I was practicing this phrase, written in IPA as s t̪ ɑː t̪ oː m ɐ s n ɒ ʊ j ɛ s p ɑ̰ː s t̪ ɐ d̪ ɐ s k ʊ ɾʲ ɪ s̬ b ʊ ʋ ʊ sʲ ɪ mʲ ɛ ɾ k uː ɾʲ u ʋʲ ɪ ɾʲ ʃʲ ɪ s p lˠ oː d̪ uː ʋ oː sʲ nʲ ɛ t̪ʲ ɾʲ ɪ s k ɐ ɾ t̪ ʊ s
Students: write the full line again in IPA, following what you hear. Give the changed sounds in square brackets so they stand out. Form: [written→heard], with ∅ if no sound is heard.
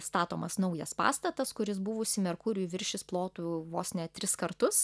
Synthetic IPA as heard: s t̪ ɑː t̪ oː m ɐ s n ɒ ʊ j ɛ s p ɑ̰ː s t̪ ɐ [d̪→t̪] ɐ s k ʊ ɾʲ ɪ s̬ b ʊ ʋ ʊ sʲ ɪ mʲ ɛ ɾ k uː ɾʲ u ʋʲ ɪ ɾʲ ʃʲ ɪ s p lˠ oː [d̪→t̪] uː ʋ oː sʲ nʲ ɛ t̪ʲ ɾʲ ɪ s k ɐ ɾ t̪ ʊ s